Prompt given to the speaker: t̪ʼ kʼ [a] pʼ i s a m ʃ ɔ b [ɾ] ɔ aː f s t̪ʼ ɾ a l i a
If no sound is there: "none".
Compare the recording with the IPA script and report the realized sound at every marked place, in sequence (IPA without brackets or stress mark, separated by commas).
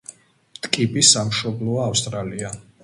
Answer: i, l